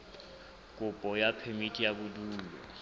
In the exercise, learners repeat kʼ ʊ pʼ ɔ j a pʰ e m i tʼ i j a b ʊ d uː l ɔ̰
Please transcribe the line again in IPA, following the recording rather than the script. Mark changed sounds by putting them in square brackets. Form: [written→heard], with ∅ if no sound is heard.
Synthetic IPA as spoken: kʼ ʊ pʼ ɔ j a pʰ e m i tʼ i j a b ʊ d uː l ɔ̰